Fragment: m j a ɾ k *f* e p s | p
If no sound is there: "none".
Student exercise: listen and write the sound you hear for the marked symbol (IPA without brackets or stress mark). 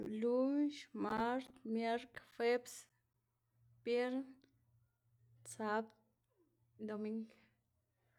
f